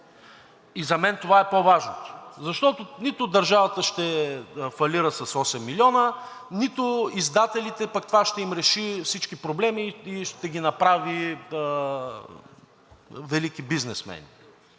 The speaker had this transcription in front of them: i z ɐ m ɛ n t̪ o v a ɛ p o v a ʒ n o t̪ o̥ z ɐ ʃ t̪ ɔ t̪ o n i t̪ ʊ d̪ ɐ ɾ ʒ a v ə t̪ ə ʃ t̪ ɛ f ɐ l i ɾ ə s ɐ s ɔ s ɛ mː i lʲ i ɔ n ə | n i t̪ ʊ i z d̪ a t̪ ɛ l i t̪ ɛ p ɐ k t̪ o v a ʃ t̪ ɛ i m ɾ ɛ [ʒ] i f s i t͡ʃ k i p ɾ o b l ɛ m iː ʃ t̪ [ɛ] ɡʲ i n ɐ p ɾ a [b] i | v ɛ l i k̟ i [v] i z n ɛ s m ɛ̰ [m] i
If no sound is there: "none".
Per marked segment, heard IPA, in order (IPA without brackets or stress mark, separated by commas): ʃ, ɛ, v, b, n